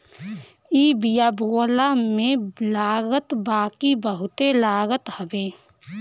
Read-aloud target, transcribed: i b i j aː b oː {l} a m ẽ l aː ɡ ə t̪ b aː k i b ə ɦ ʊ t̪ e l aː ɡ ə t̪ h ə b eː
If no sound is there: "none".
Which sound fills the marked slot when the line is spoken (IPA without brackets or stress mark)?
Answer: l